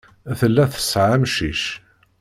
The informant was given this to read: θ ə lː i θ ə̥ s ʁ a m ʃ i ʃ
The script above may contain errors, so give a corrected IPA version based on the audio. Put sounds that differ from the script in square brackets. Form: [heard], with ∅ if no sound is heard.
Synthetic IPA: θ ə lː [æ] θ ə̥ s [ʕ] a m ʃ i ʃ